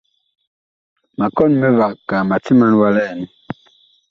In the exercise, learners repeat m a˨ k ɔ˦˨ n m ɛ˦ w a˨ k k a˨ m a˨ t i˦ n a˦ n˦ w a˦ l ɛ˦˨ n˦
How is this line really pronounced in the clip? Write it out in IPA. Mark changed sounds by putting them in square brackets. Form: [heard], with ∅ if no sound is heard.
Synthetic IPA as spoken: m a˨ k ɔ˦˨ n m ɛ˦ [v] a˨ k k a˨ m a˨ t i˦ [m] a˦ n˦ w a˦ l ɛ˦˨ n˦